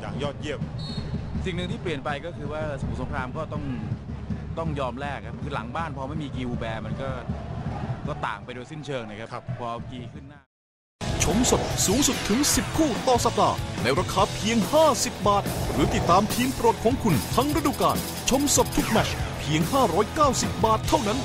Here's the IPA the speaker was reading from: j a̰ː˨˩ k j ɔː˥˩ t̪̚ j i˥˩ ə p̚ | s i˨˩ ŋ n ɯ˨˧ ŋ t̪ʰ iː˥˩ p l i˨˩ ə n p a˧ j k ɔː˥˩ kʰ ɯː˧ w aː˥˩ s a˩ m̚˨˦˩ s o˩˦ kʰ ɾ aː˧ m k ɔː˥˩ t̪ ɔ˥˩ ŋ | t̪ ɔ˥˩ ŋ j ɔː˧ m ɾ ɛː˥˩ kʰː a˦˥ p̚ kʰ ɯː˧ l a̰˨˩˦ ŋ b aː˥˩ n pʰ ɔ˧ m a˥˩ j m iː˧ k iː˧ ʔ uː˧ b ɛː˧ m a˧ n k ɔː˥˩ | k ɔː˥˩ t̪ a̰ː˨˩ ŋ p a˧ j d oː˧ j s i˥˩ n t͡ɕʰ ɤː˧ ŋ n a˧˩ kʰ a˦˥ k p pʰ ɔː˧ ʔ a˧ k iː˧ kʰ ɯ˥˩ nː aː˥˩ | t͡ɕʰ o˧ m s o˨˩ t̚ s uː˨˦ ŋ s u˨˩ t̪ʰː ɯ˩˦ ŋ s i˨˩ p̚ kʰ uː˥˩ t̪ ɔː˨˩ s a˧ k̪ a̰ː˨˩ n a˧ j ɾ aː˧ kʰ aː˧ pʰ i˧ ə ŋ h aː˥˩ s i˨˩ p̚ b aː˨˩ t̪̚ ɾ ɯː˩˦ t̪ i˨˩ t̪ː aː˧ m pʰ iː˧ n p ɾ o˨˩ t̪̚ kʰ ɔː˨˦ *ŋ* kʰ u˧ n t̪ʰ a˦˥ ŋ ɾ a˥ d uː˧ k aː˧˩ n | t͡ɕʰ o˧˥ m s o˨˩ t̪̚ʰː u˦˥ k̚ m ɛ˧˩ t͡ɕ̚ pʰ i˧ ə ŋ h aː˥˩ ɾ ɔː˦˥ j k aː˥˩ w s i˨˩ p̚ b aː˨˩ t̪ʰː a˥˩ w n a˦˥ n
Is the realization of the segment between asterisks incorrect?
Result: no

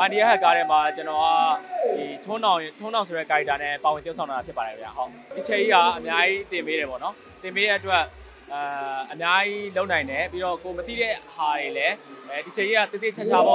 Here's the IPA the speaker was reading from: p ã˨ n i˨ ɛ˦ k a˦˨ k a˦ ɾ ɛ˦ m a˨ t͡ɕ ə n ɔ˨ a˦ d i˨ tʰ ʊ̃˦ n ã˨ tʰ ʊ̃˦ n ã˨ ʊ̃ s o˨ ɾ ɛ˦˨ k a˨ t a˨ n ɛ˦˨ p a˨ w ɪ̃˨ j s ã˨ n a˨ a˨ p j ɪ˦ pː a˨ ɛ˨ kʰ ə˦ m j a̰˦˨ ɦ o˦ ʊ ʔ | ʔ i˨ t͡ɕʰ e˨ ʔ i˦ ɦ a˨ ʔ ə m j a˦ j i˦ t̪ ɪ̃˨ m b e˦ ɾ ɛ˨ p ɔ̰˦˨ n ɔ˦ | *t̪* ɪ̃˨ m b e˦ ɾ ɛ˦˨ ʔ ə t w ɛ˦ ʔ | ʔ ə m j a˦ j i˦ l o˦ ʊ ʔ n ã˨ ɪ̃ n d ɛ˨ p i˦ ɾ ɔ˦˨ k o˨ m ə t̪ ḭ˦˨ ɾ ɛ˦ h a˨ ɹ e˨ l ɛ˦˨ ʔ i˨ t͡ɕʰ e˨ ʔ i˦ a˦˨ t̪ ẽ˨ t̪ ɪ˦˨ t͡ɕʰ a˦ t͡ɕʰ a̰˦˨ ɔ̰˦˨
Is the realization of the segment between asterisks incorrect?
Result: no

